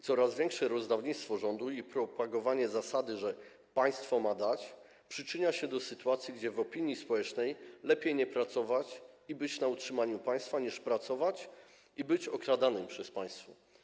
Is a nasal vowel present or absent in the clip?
absent